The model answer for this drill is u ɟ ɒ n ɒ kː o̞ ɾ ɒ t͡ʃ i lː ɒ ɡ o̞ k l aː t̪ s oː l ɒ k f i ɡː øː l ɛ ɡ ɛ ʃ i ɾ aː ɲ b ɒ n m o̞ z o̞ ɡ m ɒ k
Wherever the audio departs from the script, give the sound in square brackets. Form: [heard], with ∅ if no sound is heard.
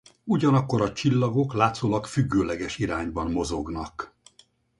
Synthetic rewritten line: u ɟ ɒ n ɒ kː o̞ ɾ ɒ t͡ʃ i lː ɒ ɡ o̞ k l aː t̪ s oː l ɒ k f [y] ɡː øː l ɛ ɡ ɛ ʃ i ɾ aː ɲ b ɒ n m o̞ z o̞ ɡ [n] ɒ k